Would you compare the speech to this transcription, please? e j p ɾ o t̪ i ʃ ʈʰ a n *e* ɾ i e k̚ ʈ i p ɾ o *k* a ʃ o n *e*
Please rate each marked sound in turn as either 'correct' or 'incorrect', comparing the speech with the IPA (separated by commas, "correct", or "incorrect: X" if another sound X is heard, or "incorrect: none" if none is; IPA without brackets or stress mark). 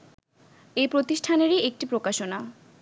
correct, correct, incorrect: a